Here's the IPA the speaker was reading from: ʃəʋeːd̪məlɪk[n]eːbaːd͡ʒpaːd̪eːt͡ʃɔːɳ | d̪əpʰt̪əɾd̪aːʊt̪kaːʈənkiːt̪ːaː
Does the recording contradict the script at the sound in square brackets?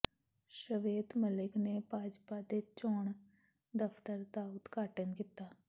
no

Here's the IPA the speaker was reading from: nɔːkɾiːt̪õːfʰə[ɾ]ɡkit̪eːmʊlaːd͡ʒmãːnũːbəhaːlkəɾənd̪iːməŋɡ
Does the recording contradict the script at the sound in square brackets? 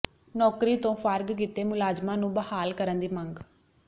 no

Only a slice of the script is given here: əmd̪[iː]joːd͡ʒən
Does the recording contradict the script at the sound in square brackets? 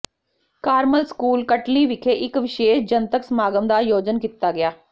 yes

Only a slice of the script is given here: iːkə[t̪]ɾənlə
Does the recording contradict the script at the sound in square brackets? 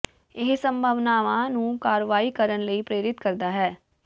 yes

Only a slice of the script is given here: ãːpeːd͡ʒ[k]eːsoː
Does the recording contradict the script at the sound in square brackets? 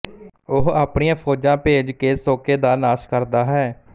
no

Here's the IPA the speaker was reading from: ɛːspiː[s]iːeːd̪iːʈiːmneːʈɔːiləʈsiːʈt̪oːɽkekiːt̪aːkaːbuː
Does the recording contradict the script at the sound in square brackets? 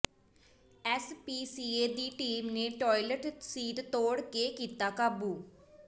no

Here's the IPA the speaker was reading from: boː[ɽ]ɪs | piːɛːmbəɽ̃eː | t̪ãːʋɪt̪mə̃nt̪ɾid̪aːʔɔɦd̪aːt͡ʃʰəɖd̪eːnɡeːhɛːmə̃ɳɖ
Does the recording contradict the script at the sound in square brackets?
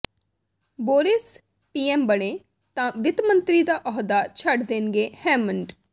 yes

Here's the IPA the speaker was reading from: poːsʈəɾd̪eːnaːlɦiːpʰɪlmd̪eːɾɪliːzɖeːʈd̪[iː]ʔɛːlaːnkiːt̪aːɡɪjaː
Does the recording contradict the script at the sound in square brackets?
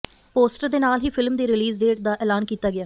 yes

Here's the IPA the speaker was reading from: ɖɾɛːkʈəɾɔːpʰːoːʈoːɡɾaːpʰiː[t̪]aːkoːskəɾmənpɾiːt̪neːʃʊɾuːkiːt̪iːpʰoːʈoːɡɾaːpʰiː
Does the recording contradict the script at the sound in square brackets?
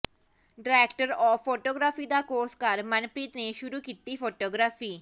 yes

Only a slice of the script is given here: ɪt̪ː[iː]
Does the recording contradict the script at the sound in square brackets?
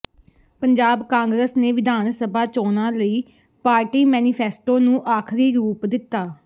yes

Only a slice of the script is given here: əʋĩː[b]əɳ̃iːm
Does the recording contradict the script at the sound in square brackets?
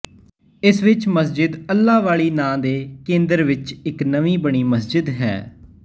no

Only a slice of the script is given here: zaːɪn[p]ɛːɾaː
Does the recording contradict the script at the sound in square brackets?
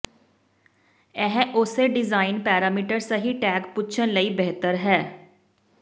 no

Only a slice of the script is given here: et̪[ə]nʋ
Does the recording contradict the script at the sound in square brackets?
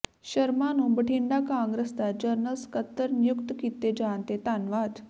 yes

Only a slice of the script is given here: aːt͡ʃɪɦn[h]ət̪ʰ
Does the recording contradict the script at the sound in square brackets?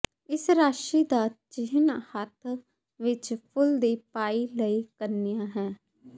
no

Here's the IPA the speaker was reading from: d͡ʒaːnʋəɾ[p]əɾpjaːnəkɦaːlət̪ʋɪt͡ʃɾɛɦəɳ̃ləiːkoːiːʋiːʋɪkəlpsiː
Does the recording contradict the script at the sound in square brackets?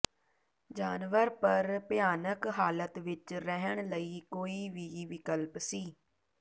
no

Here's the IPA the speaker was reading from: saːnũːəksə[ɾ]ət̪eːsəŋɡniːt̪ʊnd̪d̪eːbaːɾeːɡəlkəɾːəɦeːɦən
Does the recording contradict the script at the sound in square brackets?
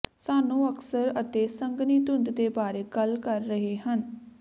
no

